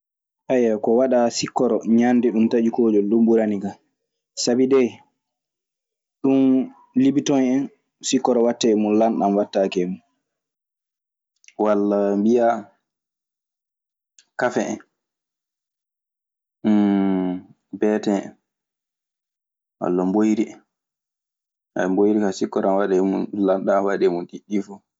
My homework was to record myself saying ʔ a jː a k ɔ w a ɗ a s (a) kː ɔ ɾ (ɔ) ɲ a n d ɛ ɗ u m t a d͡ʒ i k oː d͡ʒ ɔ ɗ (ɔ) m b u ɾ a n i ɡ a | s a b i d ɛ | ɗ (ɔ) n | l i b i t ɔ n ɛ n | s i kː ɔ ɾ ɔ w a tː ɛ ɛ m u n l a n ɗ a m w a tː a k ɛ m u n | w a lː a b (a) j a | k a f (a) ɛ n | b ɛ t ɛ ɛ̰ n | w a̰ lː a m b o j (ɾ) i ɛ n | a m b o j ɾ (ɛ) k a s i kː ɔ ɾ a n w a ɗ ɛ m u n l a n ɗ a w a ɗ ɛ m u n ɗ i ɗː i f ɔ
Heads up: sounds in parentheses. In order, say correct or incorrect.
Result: incorrect: i, correct, incorrect: u, incorrect: u, incorrect: i, incorrect: ɛ, correct, incorrect: i

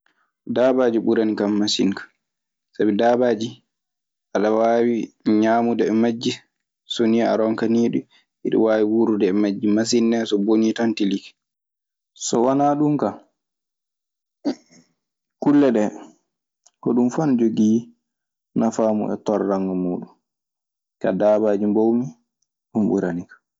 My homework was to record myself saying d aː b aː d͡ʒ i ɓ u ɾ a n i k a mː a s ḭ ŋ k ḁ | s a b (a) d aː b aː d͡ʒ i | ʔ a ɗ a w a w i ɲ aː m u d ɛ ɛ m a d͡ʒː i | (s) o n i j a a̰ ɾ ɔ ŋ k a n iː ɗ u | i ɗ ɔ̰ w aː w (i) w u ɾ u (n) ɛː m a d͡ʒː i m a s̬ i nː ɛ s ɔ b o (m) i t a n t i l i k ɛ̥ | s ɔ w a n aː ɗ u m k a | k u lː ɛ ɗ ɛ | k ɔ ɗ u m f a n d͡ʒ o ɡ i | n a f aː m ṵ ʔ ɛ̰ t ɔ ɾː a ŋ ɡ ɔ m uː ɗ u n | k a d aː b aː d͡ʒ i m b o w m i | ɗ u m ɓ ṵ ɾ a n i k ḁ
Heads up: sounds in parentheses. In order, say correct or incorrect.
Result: incorrect: i, correct, correct, incorrect: d, incorrect: n

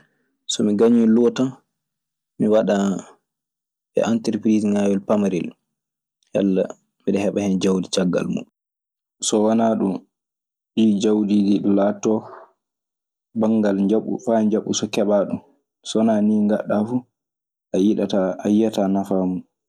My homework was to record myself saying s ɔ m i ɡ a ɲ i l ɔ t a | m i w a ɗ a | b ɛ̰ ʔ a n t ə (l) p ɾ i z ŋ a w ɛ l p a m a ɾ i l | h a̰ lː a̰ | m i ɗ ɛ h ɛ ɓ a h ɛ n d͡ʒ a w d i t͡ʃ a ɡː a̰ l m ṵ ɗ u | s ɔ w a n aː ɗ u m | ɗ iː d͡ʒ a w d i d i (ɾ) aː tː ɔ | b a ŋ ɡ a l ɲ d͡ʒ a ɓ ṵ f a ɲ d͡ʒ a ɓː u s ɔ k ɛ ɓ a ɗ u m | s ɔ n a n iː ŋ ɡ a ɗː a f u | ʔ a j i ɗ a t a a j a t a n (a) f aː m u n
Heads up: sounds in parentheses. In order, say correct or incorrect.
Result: incorrect: ɾ, incorrect: l, correct

